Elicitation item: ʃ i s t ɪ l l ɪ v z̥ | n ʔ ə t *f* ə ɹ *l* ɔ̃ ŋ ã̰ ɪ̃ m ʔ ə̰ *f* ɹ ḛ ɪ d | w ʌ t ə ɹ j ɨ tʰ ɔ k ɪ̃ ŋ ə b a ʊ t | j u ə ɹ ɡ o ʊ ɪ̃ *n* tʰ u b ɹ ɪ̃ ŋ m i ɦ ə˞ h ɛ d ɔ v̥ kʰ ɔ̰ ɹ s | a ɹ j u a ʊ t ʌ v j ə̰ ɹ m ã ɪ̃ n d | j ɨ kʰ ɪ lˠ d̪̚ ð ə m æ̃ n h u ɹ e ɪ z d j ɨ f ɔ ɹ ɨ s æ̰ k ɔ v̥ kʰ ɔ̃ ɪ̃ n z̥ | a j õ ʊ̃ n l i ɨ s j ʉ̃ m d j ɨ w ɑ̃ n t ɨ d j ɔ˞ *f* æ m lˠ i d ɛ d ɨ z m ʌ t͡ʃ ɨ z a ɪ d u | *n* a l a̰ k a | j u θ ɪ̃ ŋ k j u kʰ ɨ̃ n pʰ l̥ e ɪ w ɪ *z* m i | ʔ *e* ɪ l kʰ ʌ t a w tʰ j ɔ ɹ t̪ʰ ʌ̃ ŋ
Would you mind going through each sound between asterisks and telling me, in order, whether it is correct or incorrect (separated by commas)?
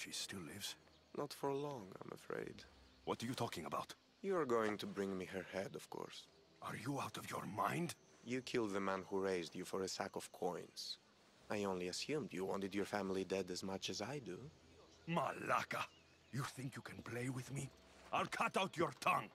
correct, correct, correct, incorrect, correct, incorrect, incorrect, incorrect